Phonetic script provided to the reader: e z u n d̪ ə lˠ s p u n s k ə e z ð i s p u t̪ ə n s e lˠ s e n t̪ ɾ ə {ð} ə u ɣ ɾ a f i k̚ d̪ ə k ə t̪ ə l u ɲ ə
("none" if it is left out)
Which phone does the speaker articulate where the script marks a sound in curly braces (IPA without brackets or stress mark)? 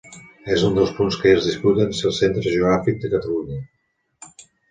ʒ